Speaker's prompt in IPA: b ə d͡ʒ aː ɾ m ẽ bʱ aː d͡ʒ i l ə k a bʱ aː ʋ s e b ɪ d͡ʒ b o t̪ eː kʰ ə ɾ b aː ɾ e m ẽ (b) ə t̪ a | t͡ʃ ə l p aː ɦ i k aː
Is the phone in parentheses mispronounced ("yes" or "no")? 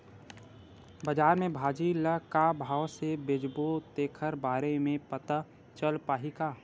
yes